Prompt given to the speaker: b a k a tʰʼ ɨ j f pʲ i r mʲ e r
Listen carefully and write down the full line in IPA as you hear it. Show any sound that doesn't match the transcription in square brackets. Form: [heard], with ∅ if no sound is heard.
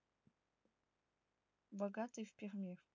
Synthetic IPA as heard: b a [ɡ] a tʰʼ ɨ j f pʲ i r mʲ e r